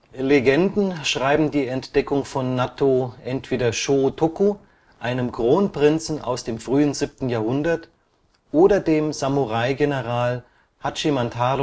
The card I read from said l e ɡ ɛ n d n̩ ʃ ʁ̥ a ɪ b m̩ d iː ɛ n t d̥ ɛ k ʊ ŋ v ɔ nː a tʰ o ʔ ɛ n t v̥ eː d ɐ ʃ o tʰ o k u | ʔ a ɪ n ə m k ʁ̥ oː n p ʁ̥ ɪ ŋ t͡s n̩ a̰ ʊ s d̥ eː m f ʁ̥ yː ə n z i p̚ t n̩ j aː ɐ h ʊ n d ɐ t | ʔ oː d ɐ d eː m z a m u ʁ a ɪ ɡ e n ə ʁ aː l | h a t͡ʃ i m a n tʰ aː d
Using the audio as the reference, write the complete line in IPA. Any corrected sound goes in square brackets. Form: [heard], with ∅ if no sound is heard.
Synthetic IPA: l e ɡ ɛ n d n̩ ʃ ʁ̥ a ɪ b m̩ d iː ɛ n t d̥ ɛ k ʊ ŋ [f] ɔ nː a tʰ o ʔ ɛ n t v̥ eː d ɐ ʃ o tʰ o k u | ʔ a ɪ n ə m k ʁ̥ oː n p ʁ̥ ɪ [n] t͡s n̩ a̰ ʊ s d̥ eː m f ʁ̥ yː ə n z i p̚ t n̩ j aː ɐ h ʊ n d ɐ t | ʔ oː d ɐ d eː m z a m u ʁ a ɪ ɡ e n ə ʁ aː l | h a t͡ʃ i m a n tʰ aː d